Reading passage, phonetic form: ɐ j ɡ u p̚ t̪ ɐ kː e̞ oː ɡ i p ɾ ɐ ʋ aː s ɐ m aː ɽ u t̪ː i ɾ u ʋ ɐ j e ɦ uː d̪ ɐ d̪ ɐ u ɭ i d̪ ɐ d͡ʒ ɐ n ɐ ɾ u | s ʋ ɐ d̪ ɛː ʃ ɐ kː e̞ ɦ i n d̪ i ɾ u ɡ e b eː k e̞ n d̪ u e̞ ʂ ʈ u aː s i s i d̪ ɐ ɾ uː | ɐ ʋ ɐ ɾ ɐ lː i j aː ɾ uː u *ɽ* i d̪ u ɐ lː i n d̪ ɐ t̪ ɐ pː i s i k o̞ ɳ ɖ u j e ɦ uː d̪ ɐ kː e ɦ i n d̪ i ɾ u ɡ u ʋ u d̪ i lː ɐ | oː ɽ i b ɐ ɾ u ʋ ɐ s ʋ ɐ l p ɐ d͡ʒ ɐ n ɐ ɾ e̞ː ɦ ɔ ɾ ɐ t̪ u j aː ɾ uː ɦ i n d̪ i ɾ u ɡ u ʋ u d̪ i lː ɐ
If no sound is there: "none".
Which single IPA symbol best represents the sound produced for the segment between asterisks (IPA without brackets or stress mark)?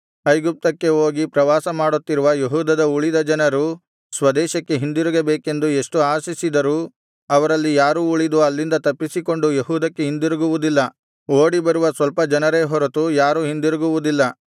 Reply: ɭ